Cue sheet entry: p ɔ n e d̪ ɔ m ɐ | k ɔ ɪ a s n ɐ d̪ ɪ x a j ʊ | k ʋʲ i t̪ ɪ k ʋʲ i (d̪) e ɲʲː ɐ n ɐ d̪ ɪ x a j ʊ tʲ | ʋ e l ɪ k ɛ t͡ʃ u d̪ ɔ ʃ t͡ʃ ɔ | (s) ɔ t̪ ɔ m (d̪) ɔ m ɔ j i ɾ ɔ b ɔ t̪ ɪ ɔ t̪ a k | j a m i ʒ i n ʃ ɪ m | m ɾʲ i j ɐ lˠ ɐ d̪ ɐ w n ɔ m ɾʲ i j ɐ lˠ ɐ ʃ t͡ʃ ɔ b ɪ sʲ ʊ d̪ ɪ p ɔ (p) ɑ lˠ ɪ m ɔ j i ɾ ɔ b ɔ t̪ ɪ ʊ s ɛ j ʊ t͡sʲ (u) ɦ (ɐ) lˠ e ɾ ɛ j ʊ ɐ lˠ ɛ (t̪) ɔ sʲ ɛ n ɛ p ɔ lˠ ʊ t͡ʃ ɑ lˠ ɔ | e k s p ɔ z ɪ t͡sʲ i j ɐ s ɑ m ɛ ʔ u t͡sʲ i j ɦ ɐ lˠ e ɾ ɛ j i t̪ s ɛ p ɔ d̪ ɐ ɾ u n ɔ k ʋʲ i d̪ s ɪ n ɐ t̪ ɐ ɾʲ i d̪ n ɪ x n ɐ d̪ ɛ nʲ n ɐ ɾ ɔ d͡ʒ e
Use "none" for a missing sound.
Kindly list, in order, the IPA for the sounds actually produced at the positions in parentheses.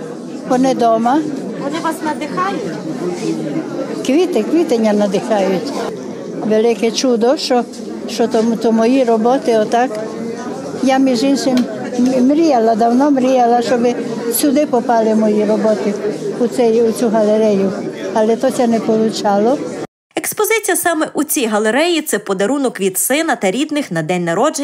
t̪, ʃ, t̪, p, u, ɐ, t̪

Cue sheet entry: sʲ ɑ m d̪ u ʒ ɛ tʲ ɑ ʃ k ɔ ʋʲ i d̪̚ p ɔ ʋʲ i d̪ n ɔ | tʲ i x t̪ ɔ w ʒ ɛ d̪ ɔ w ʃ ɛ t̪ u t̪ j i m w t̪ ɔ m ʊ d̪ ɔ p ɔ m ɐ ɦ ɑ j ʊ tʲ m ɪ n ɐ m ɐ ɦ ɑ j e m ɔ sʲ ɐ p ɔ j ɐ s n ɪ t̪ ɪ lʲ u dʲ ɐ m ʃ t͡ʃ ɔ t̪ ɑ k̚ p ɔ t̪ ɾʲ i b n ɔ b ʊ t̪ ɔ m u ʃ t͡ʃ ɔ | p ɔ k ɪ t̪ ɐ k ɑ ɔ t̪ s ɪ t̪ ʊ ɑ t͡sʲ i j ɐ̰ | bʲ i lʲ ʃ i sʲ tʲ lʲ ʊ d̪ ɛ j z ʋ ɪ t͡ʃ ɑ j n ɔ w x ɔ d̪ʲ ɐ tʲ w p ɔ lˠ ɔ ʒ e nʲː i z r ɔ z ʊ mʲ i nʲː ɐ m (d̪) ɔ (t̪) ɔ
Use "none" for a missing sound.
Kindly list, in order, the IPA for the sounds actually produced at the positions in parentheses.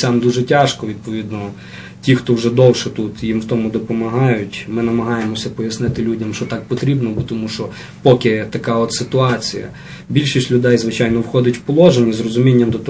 d̪, t̪

